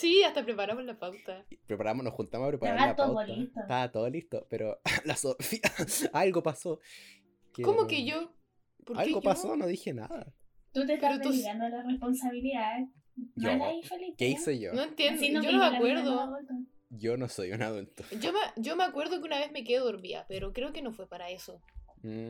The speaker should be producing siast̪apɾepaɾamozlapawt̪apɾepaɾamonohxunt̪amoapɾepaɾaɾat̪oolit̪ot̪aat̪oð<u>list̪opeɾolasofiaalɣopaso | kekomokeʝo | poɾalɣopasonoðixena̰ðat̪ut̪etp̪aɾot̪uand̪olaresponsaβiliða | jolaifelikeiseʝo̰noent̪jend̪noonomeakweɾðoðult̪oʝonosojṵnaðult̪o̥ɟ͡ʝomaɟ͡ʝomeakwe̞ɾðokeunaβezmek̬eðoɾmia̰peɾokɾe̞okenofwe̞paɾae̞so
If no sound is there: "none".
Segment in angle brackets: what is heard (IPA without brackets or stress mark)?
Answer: o